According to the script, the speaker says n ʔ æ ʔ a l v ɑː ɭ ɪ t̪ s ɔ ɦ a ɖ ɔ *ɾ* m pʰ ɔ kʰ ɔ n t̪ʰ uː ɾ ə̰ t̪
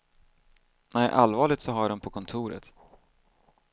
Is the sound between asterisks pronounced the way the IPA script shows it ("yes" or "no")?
no